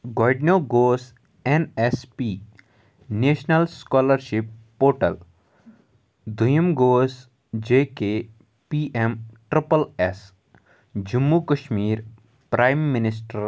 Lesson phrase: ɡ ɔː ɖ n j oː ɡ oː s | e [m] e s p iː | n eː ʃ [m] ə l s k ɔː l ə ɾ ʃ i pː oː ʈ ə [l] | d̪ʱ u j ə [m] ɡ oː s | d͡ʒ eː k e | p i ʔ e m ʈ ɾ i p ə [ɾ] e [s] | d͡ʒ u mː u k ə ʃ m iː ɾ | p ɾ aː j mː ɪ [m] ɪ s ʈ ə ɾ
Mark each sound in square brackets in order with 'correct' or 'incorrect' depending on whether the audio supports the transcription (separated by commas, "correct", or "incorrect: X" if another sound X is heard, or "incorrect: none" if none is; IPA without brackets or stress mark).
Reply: incorrect: n, incorrect: n, correct, correct, incorrect: l, correct, incorrect: n